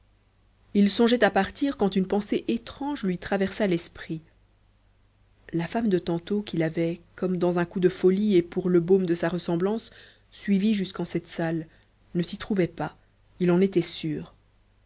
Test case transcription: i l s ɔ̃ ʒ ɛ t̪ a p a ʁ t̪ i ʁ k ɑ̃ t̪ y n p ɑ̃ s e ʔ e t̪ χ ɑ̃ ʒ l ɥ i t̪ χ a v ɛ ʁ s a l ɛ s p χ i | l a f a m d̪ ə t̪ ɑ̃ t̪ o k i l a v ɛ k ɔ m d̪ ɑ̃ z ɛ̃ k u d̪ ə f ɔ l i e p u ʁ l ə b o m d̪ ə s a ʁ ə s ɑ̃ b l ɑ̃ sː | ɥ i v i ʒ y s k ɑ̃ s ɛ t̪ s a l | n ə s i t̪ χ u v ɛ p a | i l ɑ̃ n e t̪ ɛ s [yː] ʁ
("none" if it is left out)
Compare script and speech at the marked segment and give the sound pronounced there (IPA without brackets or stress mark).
yː